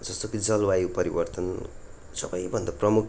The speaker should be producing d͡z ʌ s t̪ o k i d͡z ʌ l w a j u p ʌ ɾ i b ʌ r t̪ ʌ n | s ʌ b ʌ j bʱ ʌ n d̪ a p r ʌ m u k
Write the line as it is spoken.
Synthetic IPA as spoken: d͡z ʌ s t̪ o k i d͡z ʌ l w a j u p ʌ ɾ i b ʌ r t̪ ʌ n | s ʌ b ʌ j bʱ ʌ n d̪ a p r ʌ m u k